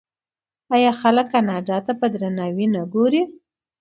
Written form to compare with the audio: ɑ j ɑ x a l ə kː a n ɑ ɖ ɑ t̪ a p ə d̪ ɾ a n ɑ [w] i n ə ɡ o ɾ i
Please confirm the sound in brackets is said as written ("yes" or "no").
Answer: yes